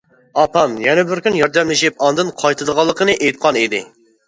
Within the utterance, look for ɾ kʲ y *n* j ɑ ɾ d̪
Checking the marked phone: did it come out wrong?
no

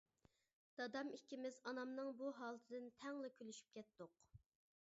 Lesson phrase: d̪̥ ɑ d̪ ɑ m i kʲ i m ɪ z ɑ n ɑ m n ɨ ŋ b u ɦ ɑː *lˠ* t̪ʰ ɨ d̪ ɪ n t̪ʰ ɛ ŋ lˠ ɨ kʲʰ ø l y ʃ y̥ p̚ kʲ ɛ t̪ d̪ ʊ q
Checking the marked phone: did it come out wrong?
no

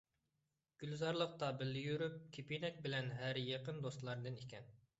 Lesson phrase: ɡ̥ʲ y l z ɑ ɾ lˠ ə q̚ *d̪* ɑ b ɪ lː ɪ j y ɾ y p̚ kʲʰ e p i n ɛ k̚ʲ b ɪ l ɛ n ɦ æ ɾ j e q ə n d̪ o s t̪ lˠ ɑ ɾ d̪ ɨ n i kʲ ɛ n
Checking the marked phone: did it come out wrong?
yes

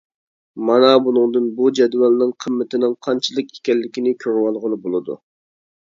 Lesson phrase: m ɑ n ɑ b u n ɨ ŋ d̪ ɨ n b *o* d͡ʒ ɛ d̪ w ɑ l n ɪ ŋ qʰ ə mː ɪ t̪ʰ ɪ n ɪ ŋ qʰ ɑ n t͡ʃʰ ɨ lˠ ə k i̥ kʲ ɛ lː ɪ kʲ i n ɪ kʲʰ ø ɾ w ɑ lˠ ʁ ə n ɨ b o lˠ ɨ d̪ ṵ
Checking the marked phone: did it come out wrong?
yes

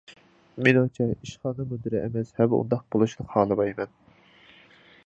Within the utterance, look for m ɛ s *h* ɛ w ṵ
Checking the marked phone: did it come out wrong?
no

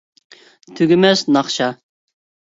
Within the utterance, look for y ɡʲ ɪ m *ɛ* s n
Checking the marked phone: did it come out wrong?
no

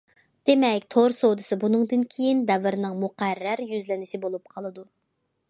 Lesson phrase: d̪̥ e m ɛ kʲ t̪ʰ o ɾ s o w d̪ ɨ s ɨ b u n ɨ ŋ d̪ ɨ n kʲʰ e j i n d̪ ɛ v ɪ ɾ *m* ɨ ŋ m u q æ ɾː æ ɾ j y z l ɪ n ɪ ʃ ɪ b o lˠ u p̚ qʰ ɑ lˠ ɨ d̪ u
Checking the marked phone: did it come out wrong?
yes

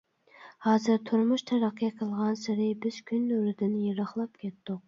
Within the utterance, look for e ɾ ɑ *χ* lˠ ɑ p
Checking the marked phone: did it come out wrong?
no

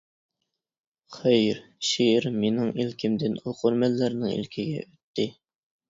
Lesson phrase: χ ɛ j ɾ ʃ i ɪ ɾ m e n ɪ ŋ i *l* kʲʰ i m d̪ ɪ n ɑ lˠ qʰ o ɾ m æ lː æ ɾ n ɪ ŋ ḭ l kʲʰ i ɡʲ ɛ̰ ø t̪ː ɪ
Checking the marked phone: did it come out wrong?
no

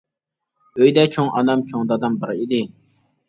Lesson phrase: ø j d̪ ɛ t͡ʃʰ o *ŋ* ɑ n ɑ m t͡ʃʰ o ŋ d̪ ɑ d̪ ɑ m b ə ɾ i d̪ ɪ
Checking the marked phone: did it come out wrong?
no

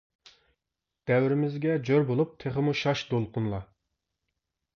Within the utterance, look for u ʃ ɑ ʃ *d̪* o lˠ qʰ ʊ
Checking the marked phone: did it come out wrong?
no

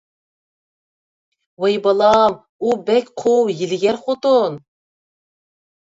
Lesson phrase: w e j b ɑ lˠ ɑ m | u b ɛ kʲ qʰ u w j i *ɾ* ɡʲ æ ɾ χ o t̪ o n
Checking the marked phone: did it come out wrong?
yes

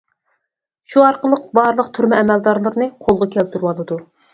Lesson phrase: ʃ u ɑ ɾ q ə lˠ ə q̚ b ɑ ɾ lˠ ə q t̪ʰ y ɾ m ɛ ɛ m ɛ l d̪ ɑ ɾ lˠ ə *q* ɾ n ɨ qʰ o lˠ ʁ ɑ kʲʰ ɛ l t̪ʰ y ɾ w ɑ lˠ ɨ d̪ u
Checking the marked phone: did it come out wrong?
yes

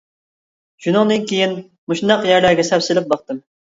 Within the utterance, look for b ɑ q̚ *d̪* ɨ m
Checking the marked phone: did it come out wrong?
yes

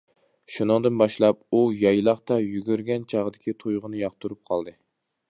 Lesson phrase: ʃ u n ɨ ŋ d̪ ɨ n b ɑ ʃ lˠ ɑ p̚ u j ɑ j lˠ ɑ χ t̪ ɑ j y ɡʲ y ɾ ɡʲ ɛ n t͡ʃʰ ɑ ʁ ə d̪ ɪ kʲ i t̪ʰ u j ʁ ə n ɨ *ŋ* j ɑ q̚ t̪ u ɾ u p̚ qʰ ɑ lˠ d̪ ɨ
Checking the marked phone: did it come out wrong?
yes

